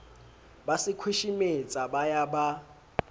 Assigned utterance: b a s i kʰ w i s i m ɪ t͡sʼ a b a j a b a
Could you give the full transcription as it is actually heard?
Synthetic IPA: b a s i kʰ w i ʃ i m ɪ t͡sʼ a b a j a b a